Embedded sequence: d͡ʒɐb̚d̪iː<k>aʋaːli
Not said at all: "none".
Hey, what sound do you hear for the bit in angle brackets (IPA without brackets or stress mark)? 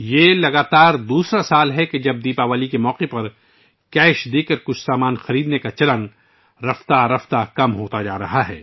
p